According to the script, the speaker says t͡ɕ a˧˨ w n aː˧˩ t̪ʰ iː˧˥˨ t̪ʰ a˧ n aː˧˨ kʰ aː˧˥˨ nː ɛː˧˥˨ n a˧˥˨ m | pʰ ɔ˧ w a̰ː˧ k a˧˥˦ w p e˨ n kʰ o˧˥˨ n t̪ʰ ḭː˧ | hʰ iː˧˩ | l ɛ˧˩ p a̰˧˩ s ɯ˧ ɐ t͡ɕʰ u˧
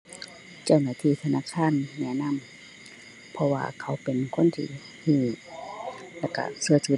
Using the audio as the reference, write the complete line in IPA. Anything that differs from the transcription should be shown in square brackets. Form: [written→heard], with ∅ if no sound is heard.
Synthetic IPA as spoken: t͡ɕ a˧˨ w n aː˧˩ t̪ʰ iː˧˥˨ t̪ʰ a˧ n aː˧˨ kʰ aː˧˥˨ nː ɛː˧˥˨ n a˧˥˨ m | pʰ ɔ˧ w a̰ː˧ [k→kʰ] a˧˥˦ w p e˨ n kʰ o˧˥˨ n t̪ʰ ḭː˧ | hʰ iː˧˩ | l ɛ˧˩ [p→k] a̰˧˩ s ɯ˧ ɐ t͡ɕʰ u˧